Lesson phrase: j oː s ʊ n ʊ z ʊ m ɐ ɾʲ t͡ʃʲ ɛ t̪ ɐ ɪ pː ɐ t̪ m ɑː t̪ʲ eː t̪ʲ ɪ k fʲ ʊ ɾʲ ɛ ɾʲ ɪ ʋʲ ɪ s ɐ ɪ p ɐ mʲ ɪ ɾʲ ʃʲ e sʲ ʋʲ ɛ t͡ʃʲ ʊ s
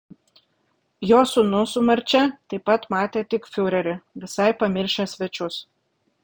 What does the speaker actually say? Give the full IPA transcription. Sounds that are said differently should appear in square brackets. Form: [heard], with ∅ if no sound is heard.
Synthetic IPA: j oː s ʊ n ʊ [s] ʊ m ɐ ɾʲ t͡ʃʲ ɛ t̪ ɐ ɪ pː ɐ t̪ m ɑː t̪ʲ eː t̪ʲ ɪ k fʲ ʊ ɾʲ ɛ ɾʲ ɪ ʋʲ ɪ s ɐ ɪ p ɐ mʲ ɪ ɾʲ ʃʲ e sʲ ʋʲ ɛ t͡ʃʲ ʊ s